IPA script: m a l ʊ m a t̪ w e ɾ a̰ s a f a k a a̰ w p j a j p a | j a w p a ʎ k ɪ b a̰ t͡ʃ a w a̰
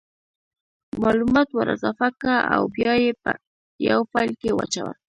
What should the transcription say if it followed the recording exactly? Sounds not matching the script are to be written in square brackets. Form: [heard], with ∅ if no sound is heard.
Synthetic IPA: m a l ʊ m a t̪ w [a] ɾ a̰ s a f a k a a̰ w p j a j p a | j a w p a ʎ k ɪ [w] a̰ t͡ʃ a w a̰